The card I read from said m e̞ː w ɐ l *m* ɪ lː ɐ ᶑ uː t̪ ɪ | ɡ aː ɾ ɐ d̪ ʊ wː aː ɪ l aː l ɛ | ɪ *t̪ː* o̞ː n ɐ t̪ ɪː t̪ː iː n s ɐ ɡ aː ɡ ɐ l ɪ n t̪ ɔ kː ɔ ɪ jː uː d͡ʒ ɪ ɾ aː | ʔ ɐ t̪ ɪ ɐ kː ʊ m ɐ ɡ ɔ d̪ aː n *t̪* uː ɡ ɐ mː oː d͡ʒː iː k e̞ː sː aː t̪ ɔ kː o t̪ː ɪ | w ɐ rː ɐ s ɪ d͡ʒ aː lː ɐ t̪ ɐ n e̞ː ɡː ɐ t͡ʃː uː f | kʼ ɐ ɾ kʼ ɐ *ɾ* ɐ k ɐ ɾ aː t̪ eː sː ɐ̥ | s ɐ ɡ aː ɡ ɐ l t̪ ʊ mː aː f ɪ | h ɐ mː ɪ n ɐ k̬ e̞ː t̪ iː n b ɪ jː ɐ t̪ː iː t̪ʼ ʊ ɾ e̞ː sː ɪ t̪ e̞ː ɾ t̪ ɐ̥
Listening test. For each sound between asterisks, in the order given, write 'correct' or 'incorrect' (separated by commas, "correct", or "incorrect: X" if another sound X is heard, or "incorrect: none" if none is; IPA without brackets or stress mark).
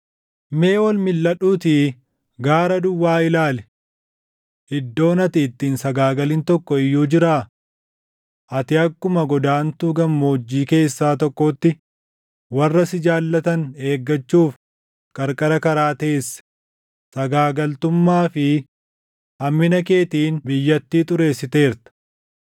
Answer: correct, incorrect: d̪ː, correct, correct